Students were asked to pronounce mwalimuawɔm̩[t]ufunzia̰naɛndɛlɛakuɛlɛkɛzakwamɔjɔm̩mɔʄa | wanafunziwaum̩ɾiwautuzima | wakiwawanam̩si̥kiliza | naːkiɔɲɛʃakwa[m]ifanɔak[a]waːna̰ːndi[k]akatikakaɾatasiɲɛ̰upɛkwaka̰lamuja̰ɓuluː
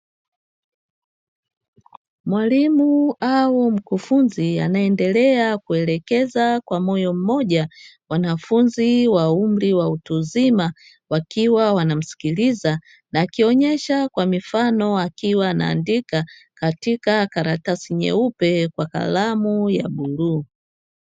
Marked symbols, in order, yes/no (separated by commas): no, yes, no, yes